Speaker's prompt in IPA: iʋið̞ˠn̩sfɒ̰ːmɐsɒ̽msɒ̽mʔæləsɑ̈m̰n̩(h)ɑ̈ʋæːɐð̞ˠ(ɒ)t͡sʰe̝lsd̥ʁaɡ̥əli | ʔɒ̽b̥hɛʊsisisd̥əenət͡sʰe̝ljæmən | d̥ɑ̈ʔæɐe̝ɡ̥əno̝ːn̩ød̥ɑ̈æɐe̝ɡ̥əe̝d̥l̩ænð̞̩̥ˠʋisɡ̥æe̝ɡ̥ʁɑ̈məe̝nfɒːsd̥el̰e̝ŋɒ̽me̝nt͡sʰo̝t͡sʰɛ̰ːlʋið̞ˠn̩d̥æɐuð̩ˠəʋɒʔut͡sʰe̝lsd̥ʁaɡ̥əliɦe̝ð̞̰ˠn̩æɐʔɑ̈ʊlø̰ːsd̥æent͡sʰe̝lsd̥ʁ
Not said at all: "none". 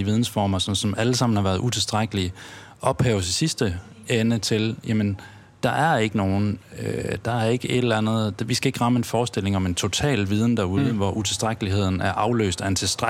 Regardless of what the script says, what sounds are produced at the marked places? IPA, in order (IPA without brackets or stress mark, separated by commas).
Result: h, u